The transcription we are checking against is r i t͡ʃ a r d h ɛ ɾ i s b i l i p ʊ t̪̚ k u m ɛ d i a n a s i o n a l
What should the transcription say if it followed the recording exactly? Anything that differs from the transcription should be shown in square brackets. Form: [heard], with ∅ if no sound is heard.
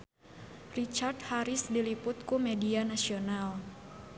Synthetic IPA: r i t͡ʃ a r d h [a] ɾ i s [d] i l i p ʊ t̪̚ k u m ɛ d i a n a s i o n a l